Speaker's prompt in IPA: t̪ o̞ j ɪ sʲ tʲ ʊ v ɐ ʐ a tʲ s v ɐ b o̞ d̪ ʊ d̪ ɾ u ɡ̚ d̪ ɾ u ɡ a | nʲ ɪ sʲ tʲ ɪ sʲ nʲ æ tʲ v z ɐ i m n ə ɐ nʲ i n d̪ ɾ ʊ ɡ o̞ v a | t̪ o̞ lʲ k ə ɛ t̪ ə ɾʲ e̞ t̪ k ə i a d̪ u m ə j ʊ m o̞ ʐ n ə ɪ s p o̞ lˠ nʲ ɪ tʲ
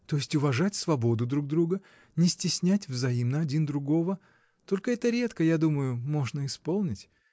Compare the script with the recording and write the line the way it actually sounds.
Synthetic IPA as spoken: t̪ o̞ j ɪ sʲ tʲ ʊ v ɐ ʐ a tʲ s v ɐ b o̞ d̪ ʊ d̪ ɾ u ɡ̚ d̪ ɾ u ɡ ə | nʲ ɪ sʲ tʲ ɪ sʲ nʲ æ tʲ v z ɐ i m n ə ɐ dʲ i n d̪ ɾ ʊ ɡ o̞ v ə | t̪ o̞ lʲ k ə ɛ t̪ ə ɾʲ e̞ t̪ k ə j a d̪ u m ə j ʊ m o̞ ʐ n ə ɪ s p o̞ lˠ nʲ ɪ tʲ